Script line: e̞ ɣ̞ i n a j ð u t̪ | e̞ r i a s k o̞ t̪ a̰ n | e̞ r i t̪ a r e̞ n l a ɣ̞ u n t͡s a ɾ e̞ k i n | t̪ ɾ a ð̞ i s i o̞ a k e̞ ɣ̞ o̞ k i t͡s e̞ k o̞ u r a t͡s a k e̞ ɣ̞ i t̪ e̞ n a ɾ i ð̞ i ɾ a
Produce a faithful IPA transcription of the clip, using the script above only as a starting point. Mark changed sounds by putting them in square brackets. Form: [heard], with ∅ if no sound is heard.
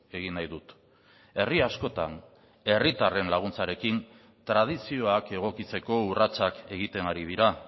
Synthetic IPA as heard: e̞ ɣ̞ i n a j ð u t̪ | e̞ r i a s k o̞ t̪ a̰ n | e̞ r i t̪ a r e̞ n l a ɣ̞ u n t͡s a ɾ e̞ k i n | t̪ ɾ a ð̞ i s i o̞ a k e̞ ɣ̞ o̞ k i t͡s e̞ k o̞ u r a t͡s a k e̞ ɣ̞ i t̪ e̞ n a ɾ i ð̞ i ɾ a

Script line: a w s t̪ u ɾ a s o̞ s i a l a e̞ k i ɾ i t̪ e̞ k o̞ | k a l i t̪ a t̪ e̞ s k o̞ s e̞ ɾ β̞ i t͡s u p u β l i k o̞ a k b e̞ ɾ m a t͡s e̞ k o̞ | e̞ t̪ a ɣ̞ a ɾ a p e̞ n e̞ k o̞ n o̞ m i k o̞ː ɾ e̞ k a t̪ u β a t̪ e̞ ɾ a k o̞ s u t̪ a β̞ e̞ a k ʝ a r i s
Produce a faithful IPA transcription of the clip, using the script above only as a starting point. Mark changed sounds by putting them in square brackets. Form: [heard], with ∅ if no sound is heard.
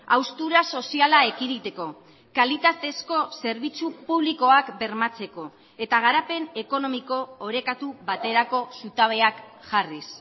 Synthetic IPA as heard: a w s t̪ u ɾ a s o̞ s i a l a e̞ k i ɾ i t̪ e̞ k o̞ | k a l i t̪ a t̪ e̞ s k o̞ s e̞ ɾ β̞ i t͡s u p u β l i k o̞ a k b e̞ ɾ m a t͡s e̞ k o̞ | e̞ t̪ a ɣ̞ a ɾ a p e̞ n e̞ k o̞ n o̞ m i k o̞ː ɾ e̞ k a t̪ u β a t̪ e̞ ɾ a k o̞ s u t̪ a β̞ e̞ a k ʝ a r i s

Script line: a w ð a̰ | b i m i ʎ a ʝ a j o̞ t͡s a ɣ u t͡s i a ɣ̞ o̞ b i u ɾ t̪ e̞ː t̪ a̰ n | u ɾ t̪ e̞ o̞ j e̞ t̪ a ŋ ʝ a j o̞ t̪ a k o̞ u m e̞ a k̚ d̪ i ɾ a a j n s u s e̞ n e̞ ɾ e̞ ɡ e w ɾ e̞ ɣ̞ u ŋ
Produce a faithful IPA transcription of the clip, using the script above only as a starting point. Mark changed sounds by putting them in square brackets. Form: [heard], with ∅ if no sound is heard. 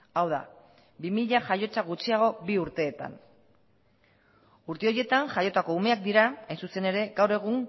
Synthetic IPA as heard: a w ð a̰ | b i m i ʎ a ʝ a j o̞ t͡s a ɣ u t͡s i a ɣ̞ o̞ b i u ɾ t̪ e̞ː t̪ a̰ n | u ɾ t̪ e̞ o̞ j e̞ t̪ a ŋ ʝ a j o̞ t̪ a k o̞ u m e̞ a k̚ d̪ i ɾ a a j n s u s e̞ n e̞ ɾ e̞ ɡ [a] w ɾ e̞ ɣ̞ u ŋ

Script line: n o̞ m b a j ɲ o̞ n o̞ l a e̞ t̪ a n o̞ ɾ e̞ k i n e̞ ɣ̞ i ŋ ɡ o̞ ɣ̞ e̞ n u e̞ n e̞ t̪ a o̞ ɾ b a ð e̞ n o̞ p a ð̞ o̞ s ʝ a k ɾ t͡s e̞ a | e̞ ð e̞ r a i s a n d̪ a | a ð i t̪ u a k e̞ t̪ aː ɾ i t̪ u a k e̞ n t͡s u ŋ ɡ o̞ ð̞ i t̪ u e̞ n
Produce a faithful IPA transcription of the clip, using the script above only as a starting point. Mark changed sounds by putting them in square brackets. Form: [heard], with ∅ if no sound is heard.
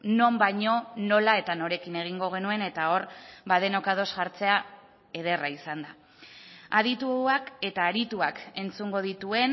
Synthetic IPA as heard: n o̞ m b a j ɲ o̞ n o̞ l a e̞ t̪ a n o̞ ɾ e̞ k i n e̞ ɣ̞ i ŋ ɡ o̞ ɣ̞ e̞ n u e̞ n e̞ t̪ a o̞ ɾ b a ð e̞ n o̞ [k] a ð̞ o̞ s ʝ a [∅] ɾ t͡s e̞ a | e̞ ð e̞ r a i s a n d̪ a | a ð i t̪ u a k e̞ t̪ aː ɾ i t̪ u a k e̞ n t͡s u ŋ ɡ o̞ ð̞ i t̪ u e̞ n

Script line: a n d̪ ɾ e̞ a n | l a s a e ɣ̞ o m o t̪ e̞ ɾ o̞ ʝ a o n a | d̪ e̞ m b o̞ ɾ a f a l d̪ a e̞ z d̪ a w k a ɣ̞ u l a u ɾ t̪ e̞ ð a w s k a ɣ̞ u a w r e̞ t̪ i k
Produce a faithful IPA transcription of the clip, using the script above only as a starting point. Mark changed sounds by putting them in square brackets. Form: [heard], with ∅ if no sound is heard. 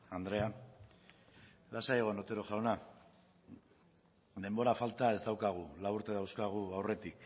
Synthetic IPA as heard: a n d̪ ɾ e̞ a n | l a s a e ɣ̞ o [n] o t̪ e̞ ɾ o̞ ʝ a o n a | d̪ e̞ m b o̞ ɾ a f a l [t̪] a e̞ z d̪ a w k a ɣ̞ u l a u ɾ t̪ e̞ ð a w s k a ɣ̞ u a w r e̞ t̪ i k

